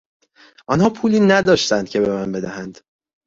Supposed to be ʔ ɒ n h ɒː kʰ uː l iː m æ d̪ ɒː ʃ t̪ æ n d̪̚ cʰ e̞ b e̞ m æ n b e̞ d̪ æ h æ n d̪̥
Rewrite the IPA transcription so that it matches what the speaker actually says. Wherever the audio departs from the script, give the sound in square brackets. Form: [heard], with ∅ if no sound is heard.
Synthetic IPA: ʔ ɒ n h ɒː [pʰ] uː l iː [n] æ d̪ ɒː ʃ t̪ æ n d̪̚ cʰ e̞ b e̞ m æ n b e̞ d̪ æ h æ n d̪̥